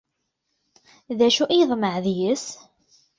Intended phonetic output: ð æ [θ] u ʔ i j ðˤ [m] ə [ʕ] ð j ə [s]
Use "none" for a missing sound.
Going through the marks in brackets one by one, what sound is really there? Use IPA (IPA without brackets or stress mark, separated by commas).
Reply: ʃ, m, ʕ, s